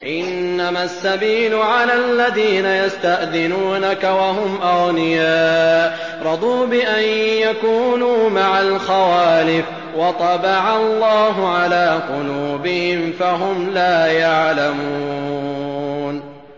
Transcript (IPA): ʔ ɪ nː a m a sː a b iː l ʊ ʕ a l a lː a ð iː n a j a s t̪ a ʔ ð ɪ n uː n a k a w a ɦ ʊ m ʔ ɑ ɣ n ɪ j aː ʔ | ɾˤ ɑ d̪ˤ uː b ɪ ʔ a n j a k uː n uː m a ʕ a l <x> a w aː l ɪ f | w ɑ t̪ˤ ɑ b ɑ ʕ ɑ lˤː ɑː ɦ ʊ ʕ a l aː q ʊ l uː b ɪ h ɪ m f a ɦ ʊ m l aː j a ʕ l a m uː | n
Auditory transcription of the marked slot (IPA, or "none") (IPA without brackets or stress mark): x